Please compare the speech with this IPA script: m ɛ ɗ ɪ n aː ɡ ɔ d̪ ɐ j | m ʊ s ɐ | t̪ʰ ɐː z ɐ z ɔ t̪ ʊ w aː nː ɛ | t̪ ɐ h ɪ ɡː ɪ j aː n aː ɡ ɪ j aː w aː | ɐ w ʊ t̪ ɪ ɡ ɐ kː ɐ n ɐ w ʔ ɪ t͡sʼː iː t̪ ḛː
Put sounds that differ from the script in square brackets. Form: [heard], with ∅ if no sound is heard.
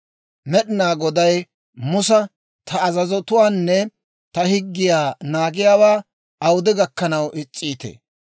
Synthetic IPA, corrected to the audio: m ɛ ɗ ɪ n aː ɡ ɔ d̪ ɐ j | m ʊ s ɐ | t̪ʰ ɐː z ɐ z ɔ t̪ ʊ w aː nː ɛ | t̪ ɐ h ɪ ɡː ɪ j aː n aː ɡ ɪ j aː w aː | ɐ w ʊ [d̪] ɪ ɡ ɐ kː ɐ n ɐ w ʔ ɪ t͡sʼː iː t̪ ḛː